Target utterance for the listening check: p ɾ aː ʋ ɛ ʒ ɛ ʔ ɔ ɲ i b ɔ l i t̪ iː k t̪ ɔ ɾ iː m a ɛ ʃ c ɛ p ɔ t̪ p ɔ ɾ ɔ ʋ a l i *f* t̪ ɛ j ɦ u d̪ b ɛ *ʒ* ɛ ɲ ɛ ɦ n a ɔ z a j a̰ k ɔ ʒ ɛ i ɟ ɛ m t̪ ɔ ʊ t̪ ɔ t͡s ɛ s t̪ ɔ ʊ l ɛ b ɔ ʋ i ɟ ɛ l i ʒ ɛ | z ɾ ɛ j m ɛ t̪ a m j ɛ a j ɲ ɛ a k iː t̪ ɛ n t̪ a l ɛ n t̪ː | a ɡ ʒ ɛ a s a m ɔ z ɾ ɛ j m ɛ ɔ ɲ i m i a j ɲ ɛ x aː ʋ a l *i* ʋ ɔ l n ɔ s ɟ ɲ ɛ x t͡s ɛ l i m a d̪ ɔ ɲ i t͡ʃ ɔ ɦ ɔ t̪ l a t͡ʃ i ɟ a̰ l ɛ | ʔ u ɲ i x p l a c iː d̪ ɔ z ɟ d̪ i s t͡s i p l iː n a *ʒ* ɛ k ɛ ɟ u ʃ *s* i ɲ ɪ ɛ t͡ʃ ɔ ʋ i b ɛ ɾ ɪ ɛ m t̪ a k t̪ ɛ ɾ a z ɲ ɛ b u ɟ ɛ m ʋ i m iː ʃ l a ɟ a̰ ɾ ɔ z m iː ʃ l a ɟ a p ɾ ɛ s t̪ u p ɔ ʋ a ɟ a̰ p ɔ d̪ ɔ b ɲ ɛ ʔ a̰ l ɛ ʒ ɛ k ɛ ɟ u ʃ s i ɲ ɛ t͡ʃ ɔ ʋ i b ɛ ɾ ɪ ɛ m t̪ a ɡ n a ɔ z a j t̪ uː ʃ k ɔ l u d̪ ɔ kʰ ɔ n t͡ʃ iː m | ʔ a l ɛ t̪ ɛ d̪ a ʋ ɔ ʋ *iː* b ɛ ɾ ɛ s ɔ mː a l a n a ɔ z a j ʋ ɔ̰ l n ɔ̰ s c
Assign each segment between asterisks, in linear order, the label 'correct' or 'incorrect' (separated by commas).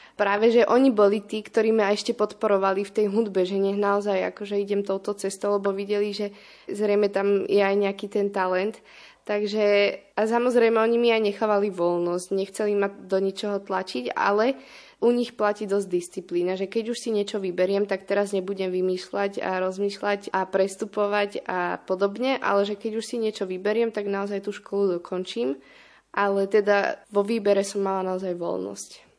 correct, correct, correct, correct, correct, correct